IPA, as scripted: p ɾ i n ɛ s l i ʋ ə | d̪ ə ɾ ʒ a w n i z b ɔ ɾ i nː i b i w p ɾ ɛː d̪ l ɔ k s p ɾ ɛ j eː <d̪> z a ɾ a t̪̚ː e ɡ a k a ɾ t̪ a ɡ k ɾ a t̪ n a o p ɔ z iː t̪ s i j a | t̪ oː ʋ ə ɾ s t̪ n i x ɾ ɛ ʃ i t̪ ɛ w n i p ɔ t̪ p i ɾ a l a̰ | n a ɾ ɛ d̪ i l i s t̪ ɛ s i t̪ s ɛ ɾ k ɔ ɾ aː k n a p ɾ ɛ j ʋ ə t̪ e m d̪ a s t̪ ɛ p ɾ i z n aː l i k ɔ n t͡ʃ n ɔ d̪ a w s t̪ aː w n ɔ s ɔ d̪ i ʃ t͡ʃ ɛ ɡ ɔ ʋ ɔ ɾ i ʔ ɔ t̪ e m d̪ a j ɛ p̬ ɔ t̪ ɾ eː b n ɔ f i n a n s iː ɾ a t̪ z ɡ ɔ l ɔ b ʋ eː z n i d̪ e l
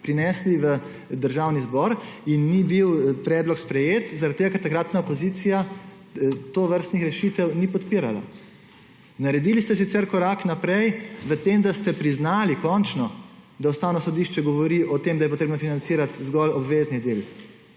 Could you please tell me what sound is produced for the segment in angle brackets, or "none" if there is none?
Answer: t̪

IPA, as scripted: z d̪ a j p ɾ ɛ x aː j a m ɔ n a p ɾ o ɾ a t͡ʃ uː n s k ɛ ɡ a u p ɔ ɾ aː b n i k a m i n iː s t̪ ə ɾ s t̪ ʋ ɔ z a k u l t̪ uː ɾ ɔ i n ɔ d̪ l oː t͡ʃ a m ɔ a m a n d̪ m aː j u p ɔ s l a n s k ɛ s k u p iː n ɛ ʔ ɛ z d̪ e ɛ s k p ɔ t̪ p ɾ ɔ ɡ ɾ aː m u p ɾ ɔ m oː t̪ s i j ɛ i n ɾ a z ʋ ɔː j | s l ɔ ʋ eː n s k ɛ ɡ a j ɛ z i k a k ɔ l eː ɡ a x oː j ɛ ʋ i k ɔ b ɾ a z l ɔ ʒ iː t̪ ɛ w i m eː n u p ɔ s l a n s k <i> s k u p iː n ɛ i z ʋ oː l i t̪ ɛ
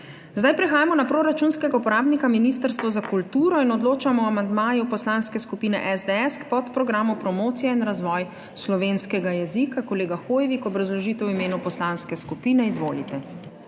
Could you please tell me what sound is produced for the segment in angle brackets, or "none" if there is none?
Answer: ɛ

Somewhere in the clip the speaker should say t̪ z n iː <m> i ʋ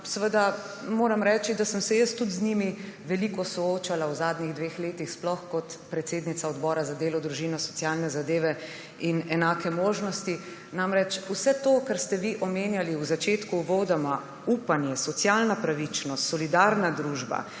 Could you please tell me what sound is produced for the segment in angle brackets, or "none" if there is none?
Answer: m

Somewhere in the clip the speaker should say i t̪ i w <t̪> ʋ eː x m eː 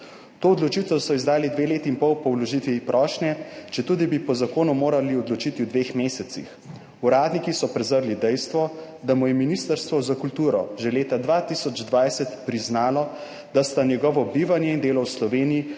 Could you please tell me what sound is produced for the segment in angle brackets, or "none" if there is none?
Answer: d̪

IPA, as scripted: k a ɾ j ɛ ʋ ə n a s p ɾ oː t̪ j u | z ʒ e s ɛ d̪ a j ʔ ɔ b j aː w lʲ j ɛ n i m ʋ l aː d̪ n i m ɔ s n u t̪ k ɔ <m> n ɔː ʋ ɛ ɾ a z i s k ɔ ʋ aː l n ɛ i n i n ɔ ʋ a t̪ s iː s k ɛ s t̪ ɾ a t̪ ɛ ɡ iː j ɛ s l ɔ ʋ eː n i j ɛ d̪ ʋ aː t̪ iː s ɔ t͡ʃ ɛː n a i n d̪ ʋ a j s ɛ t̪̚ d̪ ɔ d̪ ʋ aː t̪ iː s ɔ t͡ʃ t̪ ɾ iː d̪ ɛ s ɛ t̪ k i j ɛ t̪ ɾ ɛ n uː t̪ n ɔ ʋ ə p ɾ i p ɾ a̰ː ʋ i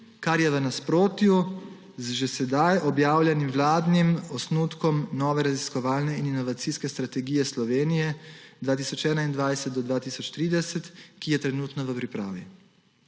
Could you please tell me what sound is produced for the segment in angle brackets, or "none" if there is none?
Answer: m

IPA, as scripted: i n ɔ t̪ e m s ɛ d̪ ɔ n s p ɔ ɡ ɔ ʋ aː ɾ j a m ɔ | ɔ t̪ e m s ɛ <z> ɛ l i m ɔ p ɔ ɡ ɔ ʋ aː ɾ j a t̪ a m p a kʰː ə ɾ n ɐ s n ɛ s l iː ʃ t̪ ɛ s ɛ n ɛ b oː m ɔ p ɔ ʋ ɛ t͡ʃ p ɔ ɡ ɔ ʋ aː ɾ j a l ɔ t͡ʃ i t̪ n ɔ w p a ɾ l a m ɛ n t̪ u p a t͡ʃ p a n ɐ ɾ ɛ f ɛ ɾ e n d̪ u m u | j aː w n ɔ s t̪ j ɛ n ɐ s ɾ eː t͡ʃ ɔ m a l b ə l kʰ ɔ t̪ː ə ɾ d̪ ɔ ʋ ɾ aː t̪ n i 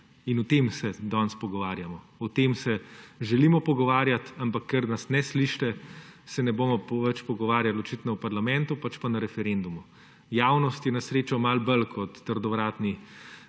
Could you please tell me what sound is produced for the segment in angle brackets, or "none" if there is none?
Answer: ʒ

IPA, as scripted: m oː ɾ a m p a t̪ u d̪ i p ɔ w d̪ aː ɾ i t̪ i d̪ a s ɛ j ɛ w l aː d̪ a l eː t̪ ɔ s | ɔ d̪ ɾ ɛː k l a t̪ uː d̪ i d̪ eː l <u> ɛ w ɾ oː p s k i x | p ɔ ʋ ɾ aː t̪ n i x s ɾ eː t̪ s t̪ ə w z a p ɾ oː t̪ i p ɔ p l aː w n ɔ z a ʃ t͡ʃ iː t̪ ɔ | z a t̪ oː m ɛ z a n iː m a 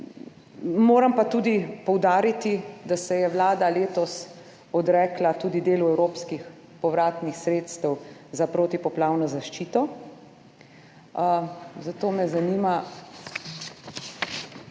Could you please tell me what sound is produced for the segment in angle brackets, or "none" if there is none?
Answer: u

